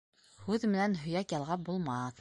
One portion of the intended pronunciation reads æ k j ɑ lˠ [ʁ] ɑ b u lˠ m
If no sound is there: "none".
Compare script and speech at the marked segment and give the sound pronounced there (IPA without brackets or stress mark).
ʁ